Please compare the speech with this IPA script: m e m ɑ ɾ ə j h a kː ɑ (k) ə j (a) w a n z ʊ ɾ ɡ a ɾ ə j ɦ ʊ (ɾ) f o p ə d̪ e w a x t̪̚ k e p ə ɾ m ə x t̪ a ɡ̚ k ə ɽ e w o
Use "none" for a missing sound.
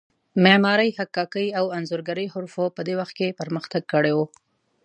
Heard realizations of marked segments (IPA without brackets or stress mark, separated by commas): k, a, ɾ